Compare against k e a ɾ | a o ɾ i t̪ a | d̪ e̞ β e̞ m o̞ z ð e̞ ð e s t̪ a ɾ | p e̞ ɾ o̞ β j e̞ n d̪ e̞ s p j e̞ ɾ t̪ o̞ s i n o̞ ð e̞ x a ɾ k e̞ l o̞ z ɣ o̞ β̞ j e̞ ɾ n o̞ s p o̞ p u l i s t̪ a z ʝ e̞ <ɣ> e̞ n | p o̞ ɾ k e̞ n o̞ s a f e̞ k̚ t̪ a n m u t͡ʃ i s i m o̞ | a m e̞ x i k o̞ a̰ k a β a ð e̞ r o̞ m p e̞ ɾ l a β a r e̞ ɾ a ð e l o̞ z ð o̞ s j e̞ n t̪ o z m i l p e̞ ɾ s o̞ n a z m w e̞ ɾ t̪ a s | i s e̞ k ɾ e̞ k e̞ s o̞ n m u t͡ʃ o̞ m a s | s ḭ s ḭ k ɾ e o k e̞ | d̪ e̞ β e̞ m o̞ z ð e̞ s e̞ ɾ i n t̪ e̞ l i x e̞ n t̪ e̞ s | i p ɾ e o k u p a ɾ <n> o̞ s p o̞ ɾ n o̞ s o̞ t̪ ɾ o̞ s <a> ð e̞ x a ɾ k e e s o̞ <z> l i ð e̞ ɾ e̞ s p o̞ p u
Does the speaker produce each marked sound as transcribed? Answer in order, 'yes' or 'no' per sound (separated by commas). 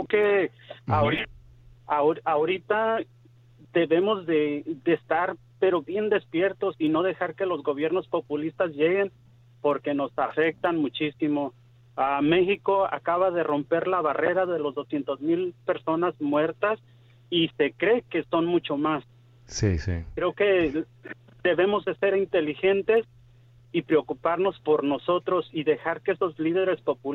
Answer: yes, yes, no, yes